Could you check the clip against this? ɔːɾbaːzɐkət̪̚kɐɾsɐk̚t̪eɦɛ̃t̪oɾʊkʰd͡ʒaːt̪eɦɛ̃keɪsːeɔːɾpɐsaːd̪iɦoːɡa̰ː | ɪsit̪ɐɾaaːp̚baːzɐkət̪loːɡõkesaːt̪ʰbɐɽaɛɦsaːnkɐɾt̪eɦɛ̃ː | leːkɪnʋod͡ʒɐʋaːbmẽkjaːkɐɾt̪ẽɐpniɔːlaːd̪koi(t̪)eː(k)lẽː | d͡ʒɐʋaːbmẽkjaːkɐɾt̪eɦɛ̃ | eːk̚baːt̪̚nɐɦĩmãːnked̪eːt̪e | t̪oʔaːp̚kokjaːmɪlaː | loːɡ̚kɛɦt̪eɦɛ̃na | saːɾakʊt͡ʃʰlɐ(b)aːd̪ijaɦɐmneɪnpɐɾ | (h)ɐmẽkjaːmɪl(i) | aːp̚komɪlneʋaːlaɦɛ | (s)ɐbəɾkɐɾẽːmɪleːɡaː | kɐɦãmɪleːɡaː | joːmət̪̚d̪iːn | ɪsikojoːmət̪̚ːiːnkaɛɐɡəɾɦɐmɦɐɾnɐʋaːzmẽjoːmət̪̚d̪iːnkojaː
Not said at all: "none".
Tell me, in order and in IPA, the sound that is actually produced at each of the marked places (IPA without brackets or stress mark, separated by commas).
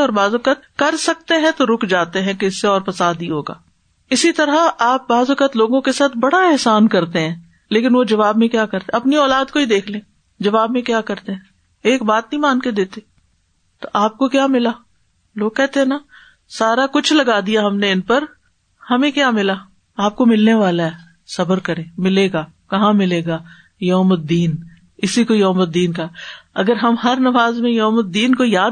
d̪, kʰ, ɡ, h, a, s